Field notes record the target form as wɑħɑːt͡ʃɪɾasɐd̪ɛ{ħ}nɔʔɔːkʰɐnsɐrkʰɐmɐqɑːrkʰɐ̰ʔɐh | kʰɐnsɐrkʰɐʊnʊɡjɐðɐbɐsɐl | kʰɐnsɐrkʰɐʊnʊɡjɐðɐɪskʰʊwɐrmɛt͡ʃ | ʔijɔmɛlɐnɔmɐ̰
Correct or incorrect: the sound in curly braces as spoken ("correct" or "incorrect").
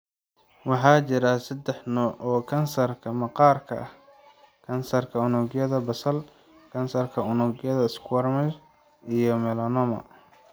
correct